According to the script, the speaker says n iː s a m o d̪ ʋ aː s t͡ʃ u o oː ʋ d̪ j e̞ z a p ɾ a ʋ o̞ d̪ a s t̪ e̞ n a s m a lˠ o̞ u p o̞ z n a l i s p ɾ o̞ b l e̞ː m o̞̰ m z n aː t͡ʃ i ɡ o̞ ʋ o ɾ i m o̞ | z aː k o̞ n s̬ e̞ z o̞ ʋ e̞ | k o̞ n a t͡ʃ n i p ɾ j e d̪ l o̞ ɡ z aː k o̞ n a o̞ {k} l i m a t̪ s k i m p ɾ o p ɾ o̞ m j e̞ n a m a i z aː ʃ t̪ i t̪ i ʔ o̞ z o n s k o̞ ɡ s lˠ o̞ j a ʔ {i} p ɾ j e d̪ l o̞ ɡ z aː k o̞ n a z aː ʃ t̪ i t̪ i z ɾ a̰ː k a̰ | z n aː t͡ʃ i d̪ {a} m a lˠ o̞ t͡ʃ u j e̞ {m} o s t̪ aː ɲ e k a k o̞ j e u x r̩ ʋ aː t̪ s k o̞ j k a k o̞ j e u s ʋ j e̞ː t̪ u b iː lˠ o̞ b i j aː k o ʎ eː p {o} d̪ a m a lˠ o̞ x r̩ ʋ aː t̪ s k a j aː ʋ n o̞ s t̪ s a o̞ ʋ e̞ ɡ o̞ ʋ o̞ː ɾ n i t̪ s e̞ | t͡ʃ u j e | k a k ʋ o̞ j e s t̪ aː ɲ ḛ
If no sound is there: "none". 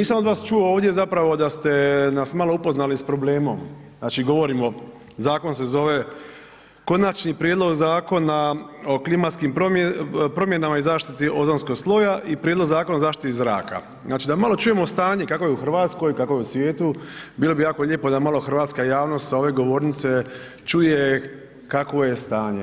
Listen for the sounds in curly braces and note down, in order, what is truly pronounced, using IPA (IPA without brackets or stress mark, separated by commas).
k, i, a, m, o